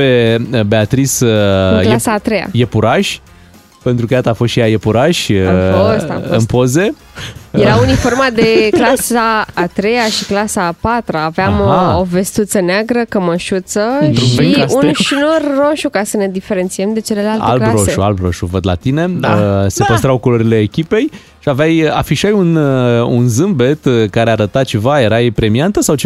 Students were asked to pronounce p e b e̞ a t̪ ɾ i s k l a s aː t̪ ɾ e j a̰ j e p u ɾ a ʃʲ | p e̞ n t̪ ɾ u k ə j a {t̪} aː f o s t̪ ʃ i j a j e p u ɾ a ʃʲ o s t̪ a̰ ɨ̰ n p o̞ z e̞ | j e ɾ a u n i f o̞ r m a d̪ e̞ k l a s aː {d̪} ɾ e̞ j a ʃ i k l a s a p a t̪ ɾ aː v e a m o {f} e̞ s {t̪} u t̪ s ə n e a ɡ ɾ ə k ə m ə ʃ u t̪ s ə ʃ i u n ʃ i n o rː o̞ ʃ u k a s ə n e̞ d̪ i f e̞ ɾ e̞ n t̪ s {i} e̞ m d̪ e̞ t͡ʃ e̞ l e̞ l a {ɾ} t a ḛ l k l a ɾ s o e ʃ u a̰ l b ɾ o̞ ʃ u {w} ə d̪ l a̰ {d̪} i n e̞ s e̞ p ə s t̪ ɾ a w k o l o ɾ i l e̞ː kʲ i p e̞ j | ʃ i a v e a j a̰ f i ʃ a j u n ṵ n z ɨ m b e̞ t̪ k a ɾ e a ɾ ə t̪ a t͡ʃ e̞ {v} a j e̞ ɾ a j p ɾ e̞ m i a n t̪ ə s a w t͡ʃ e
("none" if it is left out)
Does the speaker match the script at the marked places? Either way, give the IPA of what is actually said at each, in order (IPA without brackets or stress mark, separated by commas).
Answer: t̪, t̪, v, t̪, i, l, v, t̪, v